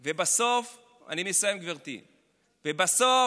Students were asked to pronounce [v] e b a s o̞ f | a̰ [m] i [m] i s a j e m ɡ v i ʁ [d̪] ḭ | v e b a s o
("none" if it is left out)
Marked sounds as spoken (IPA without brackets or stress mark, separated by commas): v, n, m, t̪